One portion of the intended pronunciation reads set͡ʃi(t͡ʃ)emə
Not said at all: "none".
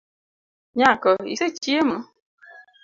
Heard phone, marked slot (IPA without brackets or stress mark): none